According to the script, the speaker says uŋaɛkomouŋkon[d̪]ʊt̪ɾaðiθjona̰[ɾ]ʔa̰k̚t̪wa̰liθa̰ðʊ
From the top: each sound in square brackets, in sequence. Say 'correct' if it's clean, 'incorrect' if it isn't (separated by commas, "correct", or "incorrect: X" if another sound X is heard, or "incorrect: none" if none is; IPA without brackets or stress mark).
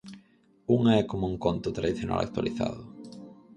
incorrect: t̪, incorrect: l